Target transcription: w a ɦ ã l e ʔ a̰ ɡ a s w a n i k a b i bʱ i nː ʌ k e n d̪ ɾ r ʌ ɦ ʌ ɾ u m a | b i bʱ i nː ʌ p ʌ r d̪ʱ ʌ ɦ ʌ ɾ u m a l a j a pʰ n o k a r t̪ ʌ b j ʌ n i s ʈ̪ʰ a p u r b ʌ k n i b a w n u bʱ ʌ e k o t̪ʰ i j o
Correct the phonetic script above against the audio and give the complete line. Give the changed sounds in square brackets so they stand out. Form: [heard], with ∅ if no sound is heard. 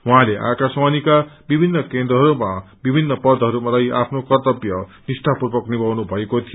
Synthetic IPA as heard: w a ɦ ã l e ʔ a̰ [k] a s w a n i k a b i bʱ i nː ʌ k e n d̪ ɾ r ʌ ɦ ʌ ɾ u m a | b i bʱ i nː ʌ p ʌ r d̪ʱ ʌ ɦ ʌ ɾ u m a l a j a pʰ n o k [ʌ] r t̪ ʌ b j ʌ n i s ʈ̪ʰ a p u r b ʌ k n i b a w n u bʱ ʌ e k o t̪ʰ i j o